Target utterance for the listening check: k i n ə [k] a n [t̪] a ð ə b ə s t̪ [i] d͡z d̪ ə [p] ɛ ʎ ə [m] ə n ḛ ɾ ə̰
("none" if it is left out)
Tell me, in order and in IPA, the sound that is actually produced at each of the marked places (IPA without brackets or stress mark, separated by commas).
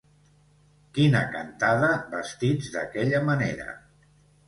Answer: k, t̪, i, k, m